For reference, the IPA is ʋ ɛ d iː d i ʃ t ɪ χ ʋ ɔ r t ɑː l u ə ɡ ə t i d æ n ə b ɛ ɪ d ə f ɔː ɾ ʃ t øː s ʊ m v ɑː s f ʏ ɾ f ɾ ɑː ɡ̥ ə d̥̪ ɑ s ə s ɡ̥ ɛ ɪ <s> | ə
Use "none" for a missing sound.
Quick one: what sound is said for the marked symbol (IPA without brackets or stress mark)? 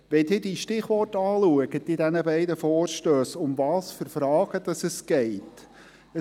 t